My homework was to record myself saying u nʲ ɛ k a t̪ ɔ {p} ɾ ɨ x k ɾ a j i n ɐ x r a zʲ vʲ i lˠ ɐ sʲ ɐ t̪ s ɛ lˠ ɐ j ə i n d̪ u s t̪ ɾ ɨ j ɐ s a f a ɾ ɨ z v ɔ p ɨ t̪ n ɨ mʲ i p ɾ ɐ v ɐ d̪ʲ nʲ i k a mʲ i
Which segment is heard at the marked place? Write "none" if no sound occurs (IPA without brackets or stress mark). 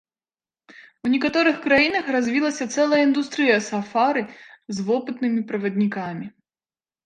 none